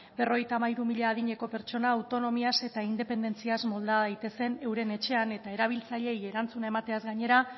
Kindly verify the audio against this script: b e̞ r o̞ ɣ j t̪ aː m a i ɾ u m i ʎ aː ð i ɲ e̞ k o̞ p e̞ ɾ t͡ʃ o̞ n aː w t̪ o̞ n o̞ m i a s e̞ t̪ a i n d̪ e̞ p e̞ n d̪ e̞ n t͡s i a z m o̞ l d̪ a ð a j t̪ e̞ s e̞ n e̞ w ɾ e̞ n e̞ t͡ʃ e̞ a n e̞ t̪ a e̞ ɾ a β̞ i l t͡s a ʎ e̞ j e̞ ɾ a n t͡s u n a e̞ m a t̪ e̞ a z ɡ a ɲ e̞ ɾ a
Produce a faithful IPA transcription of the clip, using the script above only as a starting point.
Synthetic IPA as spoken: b e̞ r o̞ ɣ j t̪ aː m a i ɾ u m i ʎ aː ð i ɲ e̞ k o̞ p e̞ ɾ t͡ʃ o̞ n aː w t̪ o̞ n o̞ m i a s e̞ t̪ a i n d̪ e̞ p e̞ n d̪ e̞ n t͡s i a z m o̞ l d̪ a ð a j t̪ e̞ s e̞ n e̞ w ɾ e̞ n e̞ t͡ʃ e̞ a n e̞ t̪ a e̞ ɾ a β̞ i l t͡s a ʎ e̞ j e̞ ɾ a n t͡s u n a e̞ m a t̪ e̞ a z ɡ a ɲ e̞ ɾ a